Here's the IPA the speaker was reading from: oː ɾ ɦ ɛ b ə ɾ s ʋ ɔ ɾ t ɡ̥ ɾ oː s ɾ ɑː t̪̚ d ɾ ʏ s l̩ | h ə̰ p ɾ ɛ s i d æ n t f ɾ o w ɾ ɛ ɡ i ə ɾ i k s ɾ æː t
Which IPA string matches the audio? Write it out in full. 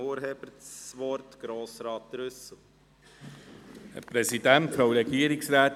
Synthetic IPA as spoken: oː ɾ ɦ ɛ b ə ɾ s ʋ ɔ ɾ t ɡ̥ ɾ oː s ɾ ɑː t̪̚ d ɾ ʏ s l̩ | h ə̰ p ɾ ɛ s i d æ n t f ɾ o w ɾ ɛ ɡ i ə ɾ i k s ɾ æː t